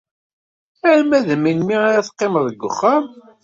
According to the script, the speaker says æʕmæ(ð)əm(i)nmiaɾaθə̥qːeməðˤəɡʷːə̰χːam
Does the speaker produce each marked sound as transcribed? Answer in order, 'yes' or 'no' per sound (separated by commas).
yes, yes